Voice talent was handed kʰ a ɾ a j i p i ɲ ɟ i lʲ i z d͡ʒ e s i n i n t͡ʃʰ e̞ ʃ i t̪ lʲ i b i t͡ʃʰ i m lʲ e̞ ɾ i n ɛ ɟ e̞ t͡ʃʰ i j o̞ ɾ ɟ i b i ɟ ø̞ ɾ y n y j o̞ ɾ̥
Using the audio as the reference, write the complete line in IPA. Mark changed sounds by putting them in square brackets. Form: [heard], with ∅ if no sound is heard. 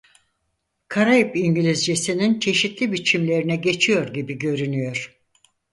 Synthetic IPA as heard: kʰ a ɾ a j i p i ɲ ɟ i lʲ i z d͡ʒ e s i n i n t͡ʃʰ e̞ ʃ i t̪ lʲ i b i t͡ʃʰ i m lʲ e̞ ɾ i n ɛ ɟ e̞ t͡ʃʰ i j o̞ ɾ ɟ i b i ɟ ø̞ ɾ y n y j o̞ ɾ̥